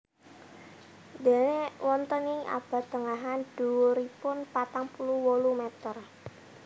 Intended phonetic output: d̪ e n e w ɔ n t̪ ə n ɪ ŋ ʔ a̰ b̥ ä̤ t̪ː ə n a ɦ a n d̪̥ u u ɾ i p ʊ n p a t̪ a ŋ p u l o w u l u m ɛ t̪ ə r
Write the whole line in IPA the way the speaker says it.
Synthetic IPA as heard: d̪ e n e w ɔ n t̪ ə n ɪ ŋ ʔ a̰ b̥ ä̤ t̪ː ə ŋ a ɦ a n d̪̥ u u ɾ i p ʊ n p a t̪ a ŋ p u l u w o l u m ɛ t̪ ə r